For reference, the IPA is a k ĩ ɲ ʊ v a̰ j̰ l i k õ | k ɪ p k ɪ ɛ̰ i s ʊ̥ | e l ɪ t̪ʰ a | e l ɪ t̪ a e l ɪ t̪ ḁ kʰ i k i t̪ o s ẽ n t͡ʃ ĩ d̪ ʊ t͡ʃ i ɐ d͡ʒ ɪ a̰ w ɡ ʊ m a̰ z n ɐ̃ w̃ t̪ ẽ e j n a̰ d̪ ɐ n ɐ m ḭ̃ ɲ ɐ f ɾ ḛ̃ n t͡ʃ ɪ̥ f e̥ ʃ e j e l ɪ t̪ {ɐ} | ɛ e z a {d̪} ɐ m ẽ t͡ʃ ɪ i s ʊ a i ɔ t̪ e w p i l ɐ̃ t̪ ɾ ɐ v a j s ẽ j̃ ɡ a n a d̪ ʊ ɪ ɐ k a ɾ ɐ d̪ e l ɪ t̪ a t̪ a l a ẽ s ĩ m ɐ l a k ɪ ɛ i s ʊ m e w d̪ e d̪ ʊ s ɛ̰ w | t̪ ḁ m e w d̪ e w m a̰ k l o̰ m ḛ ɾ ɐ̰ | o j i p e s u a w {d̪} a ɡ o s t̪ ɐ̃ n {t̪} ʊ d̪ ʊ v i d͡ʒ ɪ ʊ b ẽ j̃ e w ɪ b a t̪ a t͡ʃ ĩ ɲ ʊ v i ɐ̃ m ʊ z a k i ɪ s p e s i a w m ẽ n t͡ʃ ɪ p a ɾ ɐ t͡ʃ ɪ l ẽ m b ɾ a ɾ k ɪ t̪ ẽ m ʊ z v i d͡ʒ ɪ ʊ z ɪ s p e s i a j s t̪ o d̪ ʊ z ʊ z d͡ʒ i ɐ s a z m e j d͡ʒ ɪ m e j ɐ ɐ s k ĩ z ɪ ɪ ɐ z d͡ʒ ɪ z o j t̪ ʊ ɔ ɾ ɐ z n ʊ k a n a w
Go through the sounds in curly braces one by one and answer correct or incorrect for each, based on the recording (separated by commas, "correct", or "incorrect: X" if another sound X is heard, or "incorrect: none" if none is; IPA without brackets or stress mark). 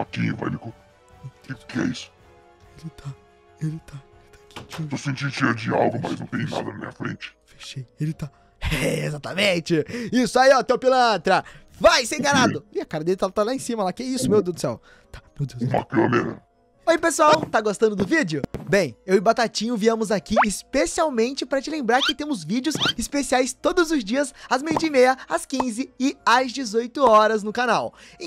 incorrect: a, incorrect: t̪, incorrect: t̪, incorrect: d̪